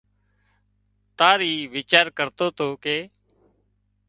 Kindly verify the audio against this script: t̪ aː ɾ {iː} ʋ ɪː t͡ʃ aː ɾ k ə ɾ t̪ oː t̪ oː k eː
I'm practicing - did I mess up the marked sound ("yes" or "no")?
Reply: no